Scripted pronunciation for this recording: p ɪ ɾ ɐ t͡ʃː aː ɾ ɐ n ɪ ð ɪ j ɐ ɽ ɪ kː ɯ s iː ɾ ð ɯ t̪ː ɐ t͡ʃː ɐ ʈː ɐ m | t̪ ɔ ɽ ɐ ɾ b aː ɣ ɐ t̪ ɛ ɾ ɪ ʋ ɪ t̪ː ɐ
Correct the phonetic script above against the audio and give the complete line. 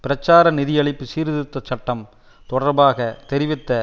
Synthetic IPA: p ɪ ɾ ɐ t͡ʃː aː ɾ ɐ n ɪ ð ɪ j ɐ ɭ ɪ pː ɯ s iː ɾ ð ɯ t̪ː ɐ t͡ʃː ɐ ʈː ɐ m | t̪ ɔ ɽ ɐ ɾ b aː ɣ ɐ t̪ ɛ ɾ ɪ ʋ ɪ t̪ː ɐ